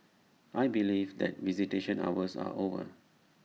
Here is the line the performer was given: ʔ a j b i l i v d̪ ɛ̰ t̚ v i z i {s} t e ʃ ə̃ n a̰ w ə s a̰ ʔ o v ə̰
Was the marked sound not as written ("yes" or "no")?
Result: yes